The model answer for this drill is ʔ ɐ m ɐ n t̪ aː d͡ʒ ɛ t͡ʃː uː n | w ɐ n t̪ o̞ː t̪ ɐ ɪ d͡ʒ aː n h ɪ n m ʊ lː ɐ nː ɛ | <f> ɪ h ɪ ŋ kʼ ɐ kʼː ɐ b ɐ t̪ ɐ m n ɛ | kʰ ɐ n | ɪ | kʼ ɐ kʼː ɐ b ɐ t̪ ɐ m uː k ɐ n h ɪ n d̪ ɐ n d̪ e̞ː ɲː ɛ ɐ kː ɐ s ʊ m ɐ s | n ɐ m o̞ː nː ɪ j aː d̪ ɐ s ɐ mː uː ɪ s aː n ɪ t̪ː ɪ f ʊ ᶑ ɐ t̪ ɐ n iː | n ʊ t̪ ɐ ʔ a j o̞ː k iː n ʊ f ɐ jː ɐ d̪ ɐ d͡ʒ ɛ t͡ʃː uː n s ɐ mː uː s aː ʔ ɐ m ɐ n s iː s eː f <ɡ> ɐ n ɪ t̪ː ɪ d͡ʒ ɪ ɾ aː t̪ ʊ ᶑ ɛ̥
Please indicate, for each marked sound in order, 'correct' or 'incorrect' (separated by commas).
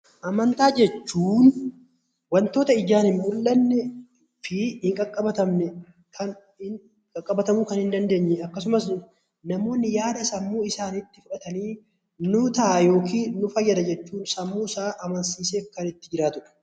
correct, incorrect